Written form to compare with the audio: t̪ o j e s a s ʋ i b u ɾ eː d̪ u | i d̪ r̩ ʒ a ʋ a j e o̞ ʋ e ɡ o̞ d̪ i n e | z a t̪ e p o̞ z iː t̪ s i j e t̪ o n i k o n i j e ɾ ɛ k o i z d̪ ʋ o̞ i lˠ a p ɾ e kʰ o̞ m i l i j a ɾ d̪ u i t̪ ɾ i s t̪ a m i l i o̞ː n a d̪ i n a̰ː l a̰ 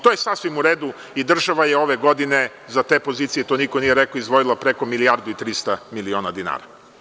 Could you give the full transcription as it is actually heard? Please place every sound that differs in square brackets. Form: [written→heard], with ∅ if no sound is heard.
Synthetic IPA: t̪ o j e s a s ʋ i [b→m] u ɾ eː d̪ u | i d̪ r̩ ʒ a ʋ a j e o̞ ʋ e ɡ o̞ d̪ i n e | z a t̪ e p o̞ z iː t̪ s i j e t̪ o n i k o n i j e ɾ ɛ k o i z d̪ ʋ o̞ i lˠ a p ɾ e [kʰ→k] o̞ m i l i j a ɾ d̪ u i t̪ ɾ i s t̪ a m i l i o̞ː n a d̪ i n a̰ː [l→ɾ] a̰